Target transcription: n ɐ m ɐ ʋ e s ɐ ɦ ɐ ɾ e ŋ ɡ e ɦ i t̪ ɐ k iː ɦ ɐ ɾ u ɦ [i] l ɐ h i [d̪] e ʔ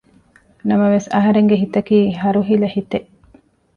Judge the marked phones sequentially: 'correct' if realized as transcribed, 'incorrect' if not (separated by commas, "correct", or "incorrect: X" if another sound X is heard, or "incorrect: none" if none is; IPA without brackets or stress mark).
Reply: correct, incorrect: t̪